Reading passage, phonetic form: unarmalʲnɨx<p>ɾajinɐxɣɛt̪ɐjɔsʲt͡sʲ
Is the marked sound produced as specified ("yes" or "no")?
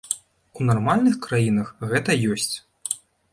no